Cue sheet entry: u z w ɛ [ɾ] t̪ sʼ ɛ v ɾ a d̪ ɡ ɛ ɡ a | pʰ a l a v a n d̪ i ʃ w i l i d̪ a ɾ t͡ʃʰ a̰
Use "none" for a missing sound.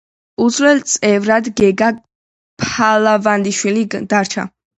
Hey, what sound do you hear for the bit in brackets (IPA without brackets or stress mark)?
l